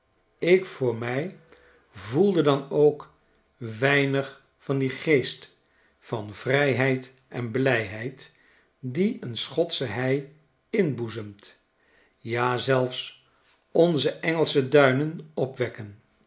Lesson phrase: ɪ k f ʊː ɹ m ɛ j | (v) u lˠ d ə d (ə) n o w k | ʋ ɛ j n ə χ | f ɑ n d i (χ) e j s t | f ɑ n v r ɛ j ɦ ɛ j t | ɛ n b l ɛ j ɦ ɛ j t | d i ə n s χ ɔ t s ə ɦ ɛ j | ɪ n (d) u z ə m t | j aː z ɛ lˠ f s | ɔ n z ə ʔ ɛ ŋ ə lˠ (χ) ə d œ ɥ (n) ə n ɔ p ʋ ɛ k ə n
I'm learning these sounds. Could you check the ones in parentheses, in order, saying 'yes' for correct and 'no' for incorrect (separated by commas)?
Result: yes, no, yes, no, no, yes